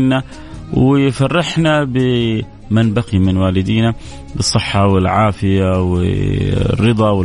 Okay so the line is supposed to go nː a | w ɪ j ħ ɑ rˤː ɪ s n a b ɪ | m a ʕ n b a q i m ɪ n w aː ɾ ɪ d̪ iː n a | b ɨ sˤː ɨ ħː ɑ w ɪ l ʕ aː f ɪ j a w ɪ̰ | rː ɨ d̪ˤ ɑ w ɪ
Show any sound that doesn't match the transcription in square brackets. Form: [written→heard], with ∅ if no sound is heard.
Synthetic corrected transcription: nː a | w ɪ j [ħ→f] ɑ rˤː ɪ [s→ħ] n a b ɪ | m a [ʕ→∅] n b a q i m ɪ n w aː [ɾ→l] ɪ d̪ iː n a | b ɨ sˤː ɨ ħː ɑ w ɪ l ʕ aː f ɪ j a w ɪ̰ | rː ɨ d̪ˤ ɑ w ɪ